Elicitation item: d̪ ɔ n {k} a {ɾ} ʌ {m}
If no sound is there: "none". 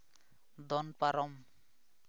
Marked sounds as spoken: p, ɾ, m

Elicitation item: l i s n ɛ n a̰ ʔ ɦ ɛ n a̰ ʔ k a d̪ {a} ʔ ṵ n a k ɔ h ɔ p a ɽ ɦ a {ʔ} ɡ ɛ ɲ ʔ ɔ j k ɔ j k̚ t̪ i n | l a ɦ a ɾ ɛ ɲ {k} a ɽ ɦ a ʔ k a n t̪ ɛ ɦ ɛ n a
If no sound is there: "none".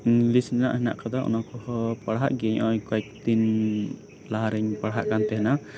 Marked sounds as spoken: a, ʔ, p

